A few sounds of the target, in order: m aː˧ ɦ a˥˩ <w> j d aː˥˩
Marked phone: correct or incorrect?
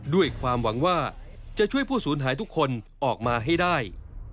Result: incorrect: none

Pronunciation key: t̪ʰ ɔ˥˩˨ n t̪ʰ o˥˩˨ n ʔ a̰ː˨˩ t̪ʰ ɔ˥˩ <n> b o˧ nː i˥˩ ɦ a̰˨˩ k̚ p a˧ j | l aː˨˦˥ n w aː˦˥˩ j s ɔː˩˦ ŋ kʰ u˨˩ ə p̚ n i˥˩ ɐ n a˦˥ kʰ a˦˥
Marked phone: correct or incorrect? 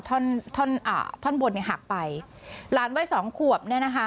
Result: correct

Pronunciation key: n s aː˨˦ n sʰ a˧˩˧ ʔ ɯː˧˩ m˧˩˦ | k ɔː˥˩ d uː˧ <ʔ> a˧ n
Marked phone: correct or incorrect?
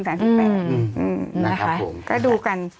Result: incorrect: k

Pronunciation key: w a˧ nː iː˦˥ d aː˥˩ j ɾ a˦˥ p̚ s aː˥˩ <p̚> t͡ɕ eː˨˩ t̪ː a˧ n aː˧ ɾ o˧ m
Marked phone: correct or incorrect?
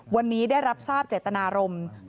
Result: correct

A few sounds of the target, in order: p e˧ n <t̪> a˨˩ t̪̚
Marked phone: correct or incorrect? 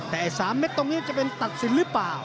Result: correct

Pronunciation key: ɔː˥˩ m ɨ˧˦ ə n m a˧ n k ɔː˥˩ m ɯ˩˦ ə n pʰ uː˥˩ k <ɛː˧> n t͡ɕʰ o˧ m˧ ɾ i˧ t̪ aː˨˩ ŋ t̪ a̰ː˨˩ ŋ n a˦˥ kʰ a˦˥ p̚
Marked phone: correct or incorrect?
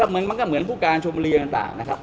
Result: incorrect: aː˧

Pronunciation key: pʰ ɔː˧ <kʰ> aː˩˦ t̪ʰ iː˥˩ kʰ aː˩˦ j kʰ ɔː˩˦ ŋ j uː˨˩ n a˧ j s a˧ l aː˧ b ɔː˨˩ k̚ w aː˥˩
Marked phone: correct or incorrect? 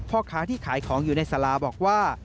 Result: correct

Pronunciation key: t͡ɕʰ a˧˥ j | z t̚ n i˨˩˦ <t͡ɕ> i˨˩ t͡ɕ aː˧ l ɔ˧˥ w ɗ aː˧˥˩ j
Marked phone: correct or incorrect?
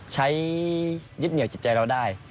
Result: correct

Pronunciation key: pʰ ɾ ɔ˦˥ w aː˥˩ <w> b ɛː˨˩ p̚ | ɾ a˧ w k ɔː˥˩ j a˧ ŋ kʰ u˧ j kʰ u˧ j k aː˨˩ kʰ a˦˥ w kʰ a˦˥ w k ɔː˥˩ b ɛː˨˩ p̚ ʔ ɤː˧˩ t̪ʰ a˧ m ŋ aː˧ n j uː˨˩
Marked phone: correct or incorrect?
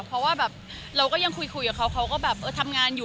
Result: incorrect: none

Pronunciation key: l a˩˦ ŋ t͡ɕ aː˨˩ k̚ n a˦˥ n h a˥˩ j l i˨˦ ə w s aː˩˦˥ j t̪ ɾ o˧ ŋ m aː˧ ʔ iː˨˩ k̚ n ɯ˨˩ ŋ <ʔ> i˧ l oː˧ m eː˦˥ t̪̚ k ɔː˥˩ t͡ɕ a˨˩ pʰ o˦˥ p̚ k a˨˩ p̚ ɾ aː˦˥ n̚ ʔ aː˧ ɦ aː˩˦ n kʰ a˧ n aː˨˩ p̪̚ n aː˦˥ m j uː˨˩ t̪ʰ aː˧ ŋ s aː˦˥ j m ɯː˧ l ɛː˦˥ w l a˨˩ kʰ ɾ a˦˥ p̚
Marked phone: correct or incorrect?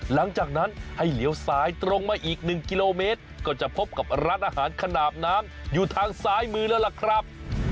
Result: incorrect: k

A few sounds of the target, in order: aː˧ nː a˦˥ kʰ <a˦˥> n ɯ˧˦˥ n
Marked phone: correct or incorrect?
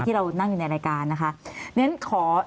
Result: correct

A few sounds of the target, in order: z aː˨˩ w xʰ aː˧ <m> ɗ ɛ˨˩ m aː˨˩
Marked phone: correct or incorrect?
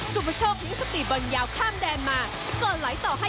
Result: correct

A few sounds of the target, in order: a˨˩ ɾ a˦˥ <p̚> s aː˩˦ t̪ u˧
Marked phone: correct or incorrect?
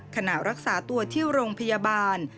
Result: incorrect: k̚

